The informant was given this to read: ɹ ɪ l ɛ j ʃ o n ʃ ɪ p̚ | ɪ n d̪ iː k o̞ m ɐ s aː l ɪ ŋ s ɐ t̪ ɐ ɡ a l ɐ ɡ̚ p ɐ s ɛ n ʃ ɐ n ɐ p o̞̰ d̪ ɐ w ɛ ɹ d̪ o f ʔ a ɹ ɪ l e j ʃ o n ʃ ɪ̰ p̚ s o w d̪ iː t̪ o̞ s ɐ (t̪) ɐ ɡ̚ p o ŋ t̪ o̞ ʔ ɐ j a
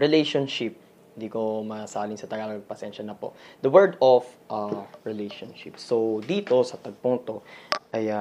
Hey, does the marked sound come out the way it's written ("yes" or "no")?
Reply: yes